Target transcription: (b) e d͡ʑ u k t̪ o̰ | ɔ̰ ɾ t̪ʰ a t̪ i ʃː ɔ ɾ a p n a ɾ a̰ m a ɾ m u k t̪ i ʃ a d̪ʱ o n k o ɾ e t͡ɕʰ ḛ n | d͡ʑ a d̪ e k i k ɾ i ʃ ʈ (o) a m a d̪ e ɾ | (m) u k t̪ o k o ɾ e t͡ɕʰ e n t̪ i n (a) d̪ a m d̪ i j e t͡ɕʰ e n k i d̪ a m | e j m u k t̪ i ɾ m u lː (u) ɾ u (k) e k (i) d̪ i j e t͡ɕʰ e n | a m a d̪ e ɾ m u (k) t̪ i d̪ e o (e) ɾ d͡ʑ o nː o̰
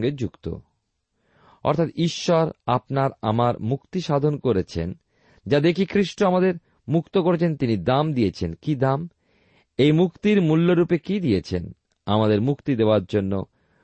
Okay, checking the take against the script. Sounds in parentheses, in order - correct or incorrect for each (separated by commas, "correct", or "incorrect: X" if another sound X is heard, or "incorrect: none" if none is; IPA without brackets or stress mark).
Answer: incorrect: ɡ, correct, correct, incorrect: i, incorrect: o, incorrect: p, correct, correct, incorrect: a